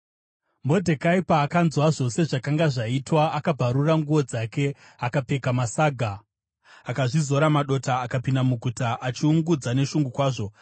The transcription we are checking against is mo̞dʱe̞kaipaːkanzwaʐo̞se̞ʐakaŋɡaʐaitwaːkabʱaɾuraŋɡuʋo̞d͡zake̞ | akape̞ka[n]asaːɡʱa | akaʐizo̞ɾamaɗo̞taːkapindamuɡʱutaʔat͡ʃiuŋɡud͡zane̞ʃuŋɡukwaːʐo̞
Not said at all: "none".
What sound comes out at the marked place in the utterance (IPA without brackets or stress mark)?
m